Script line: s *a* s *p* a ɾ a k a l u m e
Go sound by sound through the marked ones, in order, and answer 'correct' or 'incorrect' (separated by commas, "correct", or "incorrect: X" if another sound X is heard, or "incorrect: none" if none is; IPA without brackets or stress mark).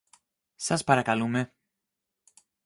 correct, correct